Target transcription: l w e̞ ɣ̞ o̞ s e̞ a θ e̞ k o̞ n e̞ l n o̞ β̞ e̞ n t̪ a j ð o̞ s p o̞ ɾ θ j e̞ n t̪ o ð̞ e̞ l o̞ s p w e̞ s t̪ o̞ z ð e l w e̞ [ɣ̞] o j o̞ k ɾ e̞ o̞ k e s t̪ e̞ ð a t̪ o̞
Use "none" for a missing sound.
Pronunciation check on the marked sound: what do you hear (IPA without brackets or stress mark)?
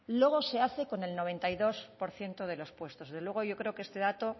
ɣ̞